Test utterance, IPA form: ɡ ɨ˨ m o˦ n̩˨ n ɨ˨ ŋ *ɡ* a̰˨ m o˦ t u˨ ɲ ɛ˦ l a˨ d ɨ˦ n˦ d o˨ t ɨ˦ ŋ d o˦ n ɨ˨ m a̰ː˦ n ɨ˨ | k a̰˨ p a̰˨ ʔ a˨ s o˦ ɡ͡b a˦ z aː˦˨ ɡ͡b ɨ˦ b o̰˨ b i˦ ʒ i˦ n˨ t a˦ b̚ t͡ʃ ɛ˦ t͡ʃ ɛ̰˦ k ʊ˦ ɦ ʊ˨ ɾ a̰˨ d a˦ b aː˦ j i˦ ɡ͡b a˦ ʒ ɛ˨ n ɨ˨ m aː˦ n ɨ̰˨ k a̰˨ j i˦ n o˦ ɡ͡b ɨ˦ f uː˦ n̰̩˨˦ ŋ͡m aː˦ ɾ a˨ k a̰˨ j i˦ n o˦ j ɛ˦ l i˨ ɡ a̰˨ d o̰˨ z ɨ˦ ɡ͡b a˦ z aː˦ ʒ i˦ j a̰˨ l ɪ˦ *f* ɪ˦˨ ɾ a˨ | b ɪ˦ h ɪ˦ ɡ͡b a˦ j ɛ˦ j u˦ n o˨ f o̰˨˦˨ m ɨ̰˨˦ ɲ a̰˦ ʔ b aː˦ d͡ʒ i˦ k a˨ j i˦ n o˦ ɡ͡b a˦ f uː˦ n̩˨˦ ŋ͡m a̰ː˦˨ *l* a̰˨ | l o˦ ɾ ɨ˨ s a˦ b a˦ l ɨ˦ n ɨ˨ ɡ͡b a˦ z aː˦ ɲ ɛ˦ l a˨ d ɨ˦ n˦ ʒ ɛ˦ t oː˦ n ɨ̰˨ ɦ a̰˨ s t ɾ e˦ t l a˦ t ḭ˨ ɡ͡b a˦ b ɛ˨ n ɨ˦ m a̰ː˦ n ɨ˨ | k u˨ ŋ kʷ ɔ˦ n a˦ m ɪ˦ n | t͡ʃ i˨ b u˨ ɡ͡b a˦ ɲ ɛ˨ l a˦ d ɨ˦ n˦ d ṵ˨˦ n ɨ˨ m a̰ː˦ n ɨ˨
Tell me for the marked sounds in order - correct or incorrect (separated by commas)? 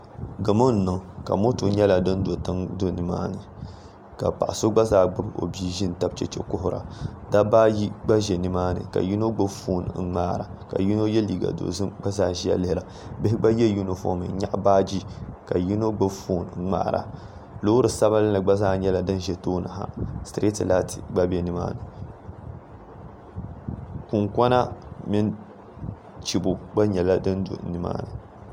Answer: incorrect, incorrect, incorrect